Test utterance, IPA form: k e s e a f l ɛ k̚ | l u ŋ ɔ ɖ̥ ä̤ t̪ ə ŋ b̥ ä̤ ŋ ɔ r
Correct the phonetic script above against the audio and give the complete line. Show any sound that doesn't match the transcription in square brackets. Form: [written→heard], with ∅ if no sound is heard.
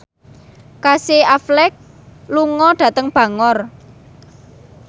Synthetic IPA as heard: k [e→a] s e a f l ɛ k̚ | l u ŋ ɔ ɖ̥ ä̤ t̪ ə ŋ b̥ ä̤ ŋ ɔ r